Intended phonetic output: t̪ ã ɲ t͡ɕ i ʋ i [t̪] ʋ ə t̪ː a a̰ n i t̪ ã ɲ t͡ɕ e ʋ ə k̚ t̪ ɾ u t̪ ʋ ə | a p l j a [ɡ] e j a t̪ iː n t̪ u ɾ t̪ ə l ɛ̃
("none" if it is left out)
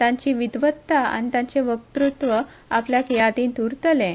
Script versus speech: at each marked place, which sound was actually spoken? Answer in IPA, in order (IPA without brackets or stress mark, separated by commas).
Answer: d̪, k